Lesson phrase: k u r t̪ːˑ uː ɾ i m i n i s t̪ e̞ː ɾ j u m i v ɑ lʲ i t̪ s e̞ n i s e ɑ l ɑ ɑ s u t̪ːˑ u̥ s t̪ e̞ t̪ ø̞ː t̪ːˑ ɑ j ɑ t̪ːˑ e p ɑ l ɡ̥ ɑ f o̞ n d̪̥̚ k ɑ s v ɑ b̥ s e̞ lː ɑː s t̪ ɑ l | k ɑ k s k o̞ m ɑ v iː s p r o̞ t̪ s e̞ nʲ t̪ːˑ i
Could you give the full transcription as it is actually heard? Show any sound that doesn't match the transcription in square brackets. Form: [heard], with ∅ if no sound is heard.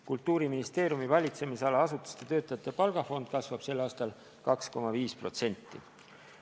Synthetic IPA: k u [l] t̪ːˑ uː ɾ i m i n i s t̪ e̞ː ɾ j u m i v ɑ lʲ i t̪ s e̞ [m] i s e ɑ l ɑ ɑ s u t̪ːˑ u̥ s t̪ e̞ t̪ ø̞ː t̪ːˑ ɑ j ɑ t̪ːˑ e p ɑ l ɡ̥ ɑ f o̞ n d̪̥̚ k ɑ s v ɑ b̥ s e̞ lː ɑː s t̪ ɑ l | k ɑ k s k o̞ m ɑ v iː s p r o̞ t̪ s e̞ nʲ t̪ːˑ i

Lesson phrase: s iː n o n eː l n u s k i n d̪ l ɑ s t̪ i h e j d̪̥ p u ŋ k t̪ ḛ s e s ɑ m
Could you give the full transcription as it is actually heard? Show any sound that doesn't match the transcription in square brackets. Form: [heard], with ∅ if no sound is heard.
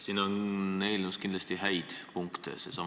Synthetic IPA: s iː n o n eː l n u s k i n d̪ l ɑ s t̪ i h [æ] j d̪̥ p u ŋ k t̪ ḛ s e s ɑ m

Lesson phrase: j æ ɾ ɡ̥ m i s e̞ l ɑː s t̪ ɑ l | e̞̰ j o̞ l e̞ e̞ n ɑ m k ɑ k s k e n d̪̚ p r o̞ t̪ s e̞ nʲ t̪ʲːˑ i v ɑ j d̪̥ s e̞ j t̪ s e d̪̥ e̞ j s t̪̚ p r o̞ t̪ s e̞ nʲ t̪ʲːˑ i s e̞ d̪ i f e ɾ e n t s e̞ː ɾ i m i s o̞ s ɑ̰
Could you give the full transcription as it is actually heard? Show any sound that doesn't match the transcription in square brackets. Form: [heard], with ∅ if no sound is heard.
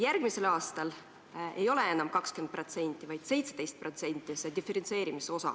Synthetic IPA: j æ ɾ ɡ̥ m i s e̞ l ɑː s t̪ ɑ l | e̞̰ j o̞ l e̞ e̞ n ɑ m k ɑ k s k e n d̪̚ p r o̞ t̪ s e̞ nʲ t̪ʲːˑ i v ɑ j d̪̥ s e̞ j t̪ s e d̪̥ e̞ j s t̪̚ p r o̞ t̪ s e̞ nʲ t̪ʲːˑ i s e̞ d̪ i f e ɾ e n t s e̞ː ɾ i m i s o̞ s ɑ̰

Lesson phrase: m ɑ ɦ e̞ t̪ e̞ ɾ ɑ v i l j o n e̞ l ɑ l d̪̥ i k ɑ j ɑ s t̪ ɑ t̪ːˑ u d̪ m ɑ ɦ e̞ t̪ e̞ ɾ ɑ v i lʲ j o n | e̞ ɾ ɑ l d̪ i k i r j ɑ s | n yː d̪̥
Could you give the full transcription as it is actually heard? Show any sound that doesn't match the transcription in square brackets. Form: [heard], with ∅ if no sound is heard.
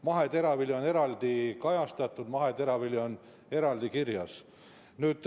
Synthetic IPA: m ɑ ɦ e̞ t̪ e̞ ɾ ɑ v i l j o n e̞ [ɾ] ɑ l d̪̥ i k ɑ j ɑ s t̪ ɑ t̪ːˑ u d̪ m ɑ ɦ e̞ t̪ e̞ ɾ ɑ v i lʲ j o n | e̞ ɾ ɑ l d̪ i k i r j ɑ s | n yː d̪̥

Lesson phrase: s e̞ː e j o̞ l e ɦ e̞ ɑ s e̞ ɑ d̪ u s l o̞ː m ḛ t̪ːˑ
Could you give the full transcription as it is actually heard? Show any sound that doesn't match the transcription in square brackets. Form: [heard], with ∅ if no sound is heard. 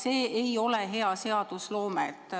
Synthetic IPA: s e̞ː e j o̞ l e ɦ e̞ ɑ s e̞ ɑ d̪ u s l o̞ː m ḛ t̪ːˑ

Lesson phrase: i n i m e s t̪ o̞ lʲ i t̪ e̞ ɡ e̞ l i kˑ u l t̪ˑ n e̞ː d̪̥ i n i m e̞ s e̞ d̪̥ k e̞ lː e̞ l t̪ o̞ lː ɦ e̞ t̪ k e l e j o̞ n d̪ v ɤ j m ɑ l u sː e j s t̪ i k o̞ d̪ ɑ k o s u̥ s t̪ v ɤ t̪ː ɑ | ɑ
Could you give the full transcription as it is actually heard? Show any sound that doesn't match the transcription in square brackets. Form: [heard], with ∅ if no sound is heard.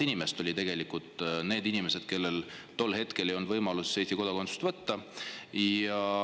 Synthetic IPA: i n i m e s t̪ o̞ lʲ i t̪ e̞ ɡ e̞ l i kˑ u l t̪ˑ n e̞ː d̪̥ i n i m e̞ s e̞ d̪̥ k e̞ lː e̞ l t̪ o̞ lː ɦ e̞ t̪ k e l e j o̞ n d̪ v ɤ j m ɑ l u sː e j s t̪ i k o̞ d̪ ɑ k o s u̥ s t̪ v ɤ t̪ː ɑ | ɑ

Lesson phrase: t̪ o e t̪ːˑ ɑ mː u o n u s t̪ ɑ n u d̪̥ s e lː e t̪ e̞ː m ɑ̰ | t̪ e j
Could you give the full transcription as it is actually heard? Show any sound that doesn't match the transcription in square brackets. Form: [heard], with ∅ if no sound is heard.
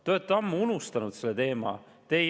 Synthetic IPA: t̪ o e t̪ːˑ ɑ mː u [u] n u s t̪ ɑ n u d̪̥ s e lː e t̪ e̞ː m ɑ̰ | t̪ e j

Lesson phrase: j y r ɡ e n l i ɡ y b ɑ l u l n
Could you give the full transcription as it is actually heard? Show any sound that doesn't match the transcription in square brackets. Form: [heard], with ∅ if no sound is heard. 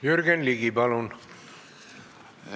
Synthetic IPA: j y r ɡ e n l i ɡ [i] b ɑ l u [∅] n

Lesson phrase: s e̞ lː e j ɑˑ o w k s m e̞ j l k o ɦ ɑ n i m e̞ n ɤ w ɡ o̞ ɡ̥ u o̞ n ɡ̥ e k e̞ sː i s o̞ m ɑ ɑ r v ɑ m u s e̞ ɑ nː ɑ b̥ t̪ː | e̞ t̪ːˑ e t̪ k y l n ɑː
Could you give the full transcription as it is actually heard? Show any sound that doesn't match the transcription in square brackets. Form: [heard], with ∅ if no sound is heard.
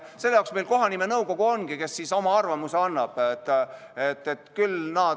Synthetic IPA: s e̞ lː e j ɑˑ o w k s m e̞ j l k o ɦ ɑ n i m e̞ n ɤ w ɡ o̞ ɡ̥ u o̞ n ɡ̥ [i] k e̞ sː i s o̞ m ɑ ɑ r v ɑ m u s e̞ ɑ nː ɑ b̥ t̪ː | e̞ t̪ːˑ e t̪ k y l n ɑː

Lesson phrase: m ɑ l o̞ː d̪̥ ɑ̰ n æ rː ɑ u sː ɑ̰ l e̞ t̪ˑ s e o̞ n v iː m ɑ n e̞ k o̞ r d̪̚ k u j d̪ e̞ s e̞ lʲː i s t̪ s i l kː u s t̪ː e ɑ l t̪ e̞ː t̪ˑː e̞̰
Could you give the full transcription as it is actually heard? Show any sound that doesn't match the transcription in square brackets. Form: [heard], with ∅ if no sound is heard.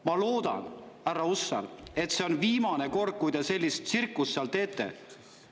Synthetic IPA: m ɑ l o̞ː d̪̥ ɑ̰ n æ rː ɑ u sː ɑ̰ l e̞ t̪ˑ s e o̞ n v iː m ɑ n e̞ k o̞ r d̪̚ k u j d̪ e̞ s e̞ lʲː i s t̪ s i [r] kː u s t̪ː e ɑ l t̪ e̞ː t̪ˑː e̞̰

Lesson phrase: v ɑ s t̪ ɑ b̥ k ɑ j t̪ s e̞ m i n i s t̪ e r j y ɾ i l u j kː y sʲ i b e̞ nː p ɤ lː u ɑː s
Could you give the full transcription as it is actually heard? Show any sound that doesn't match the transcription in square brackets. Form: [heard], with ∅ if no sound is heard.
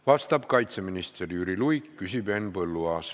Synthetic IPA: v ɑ s t̪ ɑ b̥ k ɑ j t̪ s e̞ m i n i s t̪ e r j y ɾ i l u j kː y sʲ i b e̞ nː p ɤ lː u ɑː s

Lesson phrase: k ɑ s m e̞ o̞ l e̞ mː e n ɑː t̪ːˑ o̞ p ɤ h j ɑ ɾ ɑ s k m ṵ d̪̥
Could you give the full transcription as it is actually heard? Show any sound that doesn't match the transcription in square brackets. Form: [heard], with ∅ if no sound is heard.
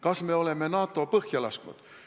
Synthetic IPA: k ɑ s m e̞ o̞ l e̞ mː e n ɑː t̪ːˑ o̞ p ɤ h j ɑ [l] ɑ s k [n] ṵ d̪̥

